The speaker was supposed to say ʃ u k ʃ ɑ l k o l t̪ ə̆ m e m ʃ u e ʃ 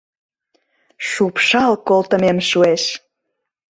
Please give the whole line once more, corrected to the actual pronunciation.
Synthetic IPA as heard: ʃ u p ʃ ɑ l k o l t̪ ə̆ m e m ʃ u e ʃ